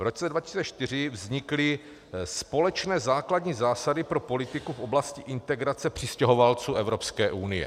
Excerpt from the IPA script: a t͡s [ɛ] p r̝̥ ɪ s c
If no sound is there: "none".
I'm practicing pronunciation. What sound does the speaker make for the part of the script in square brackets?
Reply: ɛ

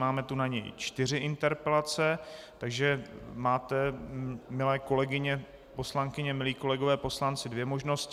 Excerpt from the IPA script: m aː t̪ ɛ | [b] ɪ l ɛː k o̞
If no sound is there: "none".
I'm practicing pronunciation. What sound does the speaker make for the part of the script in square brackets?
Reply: m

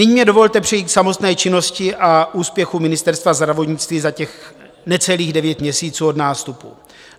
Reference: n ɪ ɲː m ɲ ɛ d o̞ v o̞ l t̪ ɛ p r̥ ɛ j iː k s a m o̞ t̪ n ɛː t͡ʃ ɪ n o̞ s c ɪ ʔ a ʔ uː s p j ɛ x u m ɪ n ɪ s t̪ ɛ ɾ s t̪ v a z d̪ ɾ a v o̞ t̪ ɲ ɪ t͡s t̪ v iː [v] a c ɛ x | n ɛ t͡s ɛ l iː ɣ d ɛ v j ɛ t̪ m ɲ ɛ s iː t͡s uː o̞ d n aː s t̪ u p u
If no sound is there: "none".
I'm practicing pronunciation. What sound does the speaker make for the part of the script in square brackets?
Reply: z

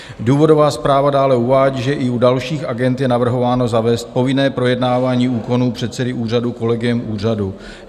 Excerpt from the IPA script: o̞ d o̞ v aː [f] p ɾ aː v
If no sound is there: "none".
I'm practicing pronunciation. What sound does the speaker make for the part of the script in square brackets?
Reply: s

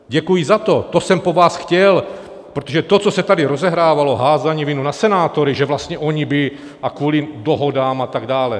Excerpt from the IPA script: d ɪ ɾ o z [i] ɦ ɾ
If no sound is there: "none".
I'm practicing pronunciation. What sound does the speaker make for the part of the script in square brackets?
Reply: ɛ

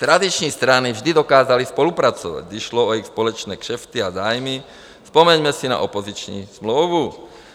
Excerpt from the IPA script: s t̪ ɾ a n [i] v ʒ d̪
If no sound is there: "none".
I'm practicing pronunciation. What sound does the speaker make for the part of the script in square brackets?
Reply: i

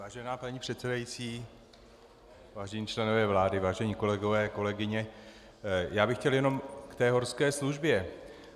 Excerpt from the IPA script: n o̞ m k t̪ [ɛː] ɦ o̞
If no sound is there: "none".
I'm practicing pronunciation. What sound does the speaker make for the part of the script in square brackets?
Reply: ɛː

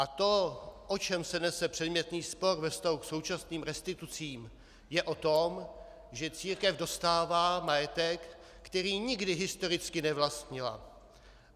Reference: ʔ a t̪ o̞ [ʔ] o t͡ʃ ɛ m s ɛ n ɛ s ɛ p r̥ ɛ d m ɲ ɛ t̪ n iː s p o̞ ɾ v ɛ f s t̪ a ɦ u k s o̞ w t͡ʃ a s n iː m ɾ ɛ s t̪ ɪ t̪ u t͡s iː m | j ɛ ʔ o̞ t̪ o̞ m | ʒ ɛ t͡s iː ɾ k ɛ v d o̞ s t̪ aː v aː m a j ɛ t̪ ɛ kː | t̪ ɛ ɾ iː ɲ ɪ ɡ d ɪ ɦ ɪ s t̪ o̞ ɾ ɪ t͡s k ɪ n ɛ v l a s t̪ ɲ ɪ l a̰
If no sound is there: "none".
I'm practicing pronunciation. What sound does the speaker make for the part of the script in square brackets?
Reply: ʔ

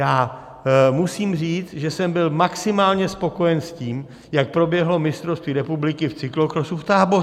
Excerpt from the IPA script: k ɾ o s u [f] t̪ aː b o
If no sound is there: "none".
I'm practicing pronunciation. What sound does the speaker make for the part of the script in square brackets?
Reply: f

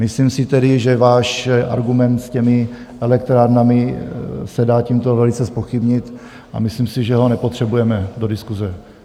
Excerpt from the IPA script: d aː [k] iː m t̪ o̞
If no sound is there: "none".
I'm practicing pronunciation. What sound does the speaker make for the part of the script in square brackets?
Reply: c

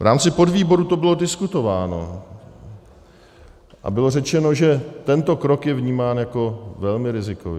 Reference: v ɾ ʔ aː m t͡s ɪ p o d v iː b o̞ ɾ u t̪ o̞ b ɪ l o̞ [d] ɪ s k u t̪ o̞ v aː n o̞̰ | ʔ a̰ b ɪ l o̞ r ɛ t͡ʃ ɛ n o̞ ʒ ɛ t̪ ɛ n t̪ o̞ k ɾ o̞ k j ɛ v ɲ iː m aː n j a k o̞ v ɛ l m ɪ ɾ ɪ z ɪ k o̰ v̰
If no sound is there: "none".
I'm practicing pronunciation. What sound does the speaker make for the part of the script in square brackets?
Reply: d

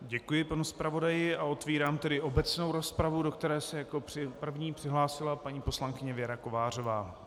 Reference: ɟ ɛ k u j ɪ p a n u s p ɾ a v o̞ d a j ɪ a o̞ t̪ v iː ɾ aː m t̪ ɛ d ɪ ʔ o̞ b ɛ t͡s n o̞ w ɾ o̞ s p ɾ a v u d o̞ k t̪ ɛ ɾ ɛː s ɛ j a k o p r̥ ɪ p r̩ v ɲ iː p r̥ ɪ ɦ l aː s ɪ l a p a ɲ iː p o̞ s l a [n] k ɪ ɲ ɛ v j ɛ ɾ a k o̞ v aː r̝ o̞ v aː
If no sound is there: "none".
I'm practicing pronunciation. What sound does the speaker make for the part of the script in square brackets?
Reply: ŋ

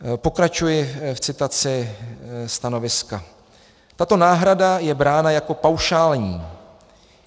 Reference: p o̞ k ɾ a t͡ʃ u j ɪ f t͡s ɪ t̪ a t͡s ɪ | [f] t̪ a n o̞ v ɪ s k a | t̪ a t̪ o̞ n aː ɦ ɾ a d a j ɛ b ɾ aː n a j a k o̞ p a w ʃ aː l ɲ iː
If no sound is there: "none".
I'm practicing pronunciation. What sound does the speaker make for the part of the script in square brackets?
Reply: s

